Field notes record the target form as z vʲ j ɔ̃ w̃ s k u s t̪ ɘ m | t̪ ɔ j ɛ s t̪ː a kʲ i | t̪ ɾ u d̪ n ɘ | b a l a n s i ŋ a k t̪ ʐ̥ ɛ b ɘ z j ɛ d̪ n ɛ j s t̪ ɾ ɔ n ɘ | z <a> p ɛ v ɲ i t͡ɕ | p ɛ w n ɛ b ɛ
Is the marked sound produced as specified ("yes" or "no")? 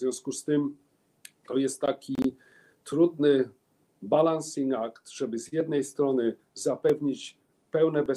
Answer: yes